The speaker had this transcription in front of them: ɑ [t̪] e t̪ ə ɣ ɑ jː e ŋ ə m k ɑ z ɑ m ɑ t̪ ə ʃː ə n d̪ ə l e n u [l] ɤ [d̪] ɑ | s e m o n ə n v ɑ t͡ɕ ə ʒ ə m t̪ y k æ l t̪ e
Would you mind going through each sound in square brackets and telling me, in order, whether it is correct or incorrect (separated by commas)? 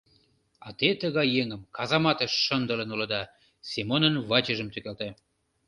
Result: correct, correct, correct